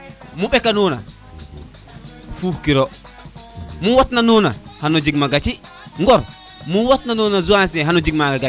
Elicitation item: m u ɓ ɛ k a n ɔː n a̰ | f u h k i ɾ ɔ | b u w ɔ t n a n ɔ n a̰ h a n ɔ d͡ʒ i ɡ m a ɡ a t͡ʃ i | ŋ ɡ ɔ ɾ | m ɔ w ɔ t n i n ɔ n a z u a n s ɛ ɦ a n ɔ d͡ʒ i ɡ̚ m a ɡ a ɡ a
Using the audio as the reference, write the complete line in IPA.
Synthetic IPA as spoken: m u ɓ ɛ k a n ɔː n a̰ | f u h k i ɾ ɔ | m u w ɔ t n a n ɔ n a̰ h a n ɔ d͡ʒ i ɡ m a ɡ a t͡ʃ i | ŋ ɡ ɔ ɾ | m u w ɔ t n a n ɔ n a z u a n s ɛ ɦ a n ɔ d͡ʒ i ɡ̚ m a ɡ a ɡ a